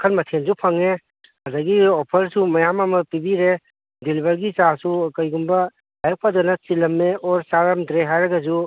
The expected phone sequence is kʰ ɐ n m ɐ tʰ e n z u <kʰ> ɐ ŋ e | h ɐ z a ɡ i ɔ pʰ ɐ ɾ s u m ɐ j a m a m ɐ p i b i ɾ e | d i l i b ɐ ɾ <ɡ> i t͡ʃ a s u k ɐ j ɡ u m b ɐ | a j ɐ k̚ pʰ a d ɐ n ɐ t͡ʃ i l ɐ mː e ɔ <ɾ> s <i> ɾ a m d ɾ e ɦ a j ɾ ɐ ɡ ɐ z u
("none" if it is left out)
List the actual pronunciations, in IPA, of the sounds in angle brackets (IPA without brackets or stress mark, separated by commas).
pʰ, ɡ, ɾ, a